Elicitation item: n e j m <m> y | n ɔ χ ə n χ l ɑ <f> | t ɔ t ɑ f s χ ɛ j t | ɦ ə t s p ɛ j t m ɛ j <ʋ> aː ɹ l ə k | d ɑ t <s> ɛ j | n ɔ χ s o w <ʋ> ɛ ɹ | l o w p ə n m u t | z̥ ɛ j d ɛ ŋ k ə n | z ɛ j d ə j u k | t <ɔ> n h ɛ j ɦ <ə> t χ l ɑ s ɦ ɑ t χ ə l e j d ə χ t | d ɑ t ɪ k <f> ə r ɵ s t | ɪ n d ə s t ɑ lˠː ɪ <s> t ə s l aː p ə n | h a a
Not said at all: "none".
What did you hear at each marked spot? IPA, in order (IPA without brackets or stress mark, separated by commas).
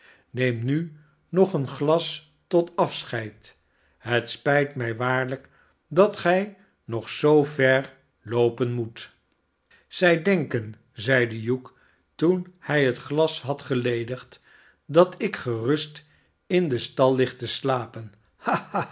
n, s, ʋ, χ, v, u, ə, χ, χ